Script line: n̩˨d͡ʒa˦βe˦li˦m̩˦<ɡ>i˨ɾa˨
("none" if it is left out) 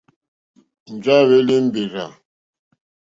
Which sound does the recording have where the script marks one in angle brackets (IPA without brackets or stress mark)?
b